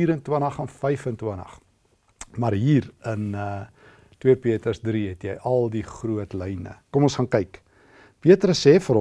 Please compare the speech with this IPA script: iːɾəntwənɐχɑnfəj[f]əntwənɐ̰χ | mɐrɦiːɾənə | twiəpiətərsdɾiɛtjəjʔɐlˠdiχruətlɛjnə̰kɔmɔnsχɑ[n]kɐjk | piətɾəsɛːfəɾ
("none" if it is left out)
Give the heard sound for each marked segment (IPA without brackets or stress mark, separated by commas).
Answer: f, n